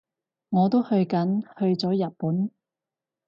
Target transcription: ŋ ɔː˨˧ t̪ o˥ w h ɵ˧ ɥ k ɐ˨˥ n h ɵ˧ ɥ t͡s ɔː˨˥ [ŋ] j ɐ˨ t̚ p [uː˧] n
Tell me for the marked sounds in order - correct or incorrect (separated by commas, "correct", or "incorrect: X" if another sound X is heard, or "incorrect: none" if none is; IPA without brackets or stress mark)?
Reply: incorrect: none, incorrect: uː˨˥